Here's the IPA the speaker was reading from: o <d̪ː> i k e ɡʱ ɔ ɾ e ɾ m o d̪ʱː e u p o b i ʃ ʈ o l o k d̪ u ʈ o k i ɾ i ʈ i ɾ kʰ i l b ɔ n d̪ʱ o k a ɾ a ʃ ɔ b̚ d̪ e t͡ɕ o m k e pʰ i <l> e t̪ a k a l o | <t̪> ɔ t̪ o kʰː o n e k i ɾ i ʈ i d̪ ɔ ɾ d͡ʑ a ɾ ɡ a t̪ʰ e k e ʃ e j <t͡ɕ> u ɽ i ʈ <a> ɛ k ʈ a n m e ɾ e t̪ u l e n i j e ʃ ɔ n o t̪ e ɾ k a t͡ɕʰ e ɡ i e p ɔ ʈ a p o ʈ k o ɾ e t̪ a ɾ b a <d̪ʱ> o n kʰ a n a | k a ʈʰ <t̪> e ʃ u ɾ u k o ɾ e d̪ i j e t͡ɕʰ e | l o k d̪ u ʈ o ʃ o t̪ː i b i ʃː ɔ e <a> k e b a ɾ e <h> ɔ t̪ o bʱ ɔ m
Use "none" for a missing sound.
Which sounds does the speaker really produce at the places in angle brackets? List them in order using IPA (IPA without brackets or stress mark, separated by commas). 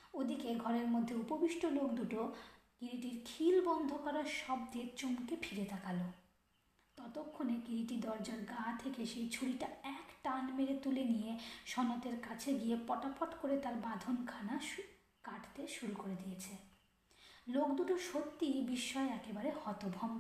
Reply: d̪, ɾ, t̪, t͡ɕʰ, a, d̪ʱ, t̪, ɛ, h